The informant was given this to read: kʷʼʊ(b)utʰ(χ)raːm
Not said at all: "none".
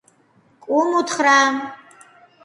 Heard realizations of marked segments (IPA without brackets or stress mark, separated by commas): m, χ